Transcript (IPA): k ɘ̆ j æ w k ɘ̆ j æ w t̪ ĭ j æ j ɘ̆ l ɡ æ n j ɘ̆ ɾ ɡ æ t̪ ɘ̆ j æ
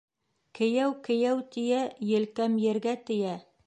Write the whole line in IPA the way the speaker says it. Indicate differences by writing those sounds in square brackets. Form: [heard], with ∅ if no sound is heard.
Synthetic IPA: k ɘ̆ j æ w k ɘ̆ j æ w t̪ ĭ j æ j ɘ̆ l [k] æ [m] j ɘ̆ ɾ ɡ æ t̪ ɘ̆ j æ